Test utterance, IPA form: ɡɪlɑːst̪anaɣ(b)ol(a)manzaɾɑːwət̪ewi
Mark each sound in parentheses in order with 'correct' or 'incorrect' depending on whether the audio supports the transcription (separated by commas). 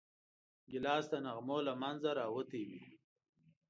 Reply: incorrect, correct